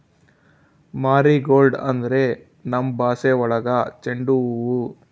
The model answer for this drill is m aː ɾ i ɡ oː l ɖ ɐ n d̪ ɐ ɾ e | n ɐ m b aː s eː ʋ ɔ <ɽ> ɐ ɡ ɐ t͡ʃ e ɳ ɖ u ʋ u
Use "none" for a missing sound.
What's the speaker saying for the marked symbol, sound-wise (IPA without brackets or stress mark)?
ɭ